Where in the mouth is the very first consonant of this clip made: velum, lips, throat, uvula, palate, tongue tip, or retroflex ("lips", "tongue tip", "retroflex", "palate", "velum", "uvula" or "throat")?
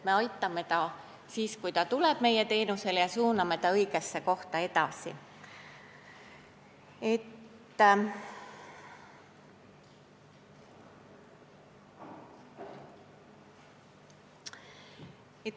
lips